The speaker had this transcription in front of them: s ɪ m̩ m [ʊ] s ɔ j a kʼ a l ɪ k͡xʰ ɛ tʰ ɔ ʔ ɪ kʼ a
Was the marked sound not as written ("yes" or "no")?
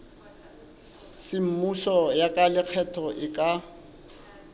yes